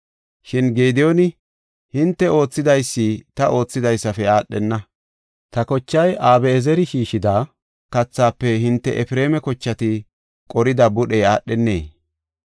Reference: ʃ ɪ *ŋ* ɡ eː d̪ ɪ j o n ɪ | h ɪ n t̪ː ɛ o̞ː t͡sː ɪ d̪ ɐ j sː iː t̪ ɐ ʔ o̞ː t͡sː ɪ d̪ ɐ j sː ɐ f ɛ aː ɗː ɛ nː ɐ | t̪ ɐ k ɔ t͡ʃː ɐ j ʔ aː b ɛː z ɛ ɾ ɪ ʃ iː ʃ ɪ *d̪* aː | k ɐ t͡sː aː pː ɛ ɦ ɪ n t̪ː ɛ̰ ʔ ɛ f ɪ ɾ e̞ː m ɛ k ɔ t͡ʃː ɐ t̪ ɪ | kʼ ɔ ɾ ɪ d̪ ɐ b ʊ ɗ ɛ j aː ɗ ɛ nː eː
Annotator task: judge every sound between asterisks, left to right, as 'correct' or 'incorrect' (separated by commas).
incorrect, correct